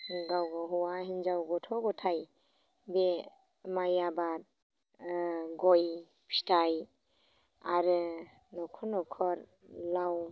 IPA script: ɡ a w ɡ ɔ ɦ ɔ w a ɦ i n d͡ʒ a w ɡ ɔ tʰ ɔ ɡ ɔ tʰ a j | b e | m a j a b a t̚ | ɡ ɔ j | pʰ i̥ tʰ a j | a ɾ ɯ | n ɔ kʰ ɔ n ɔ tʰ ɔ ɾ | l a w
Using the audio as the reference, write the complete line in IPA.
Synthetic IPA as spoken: ɡ a w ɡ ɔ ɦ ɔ w a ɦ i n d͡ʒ a w ɡ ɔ tʰ ɔ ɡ ɔ tʰ a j | b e | m a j a b a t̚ | ɡ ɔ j | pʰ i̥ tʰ a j | a ɾ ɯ | n ɔ kʰ ɔ n ɔ kʰ ɔ ɾ | l a w